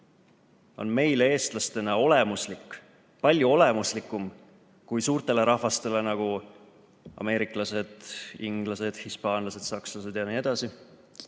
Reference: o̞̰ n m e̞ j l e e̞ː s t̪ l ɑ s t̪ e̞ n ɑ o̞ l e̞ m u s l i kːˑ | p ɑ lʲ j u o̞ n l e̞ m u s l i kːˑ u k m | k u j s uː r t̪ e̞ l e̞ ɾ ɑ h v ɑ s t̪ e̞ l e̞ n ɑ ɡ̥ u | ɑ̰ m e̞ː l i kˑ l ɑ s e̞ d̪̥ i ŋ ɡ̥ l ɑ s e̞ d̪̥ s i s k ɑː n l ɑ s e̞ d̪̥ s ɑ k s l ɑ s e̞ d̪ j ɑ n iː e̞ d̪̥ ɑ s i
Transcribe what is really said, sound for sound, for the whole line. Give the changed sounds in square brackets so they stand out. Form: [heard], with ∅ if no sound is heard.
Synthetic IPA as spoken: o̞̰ n m e̞ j l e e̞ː s t̪ l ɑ s t̪ e̞ n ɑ o̞ l e̞ m u s l i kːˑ | p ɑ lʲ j u o̞ [∅] l e̞ m u s l i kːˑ u [∅] m | k u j s uː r t̪ e̞ l e̞ ɾ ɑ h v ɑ s t̪ e̞ l e̞ n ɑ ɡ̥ u | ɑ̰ m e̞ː [ɾ] i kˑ l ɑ s e̞ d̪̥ i ŋ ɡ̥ l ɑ s e̞ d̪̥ [h] i s [p] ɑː n l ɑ s e̞ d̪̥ s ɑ k s l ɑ s e̞ d̪ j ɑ n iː e̞ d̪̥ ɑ s i